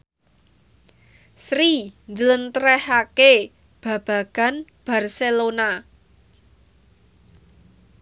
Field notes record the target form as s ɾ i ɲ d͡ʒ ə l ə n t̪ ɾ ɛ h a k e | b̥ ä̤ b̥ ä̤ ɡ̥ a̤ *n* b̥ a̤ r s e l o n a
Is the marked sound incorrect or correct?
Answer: correct